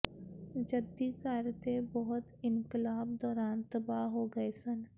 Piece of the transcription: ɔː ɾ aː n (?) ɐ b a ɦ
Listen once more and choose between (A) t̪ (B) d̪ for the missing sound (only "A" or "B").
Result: A